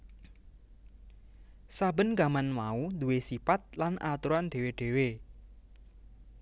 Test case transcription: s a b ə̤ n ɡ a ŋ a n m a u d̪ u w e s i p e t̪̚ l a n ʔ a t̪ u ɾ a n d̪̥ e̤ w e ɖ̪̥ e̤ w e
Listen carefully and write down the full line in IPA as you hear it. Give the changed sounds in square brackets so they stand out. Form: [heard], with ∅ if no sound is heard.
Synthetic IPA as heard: s a b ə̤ n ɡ a [m] a n m a u d̪ u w e s i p [a] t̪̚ l a n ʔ a t̪ u ɾ a n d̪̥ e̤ w e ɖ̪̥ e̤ w e